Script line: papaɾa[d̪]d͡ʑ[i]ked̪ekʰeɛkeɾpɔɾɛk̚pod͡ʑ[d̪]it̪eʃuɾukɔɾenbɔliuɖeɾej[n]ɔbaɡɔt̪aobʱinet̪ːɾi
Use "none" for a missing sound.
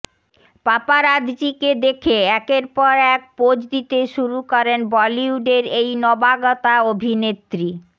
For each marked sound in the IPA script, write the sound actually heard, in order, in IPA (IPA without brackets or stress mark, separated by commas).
d̪, i, d̪, n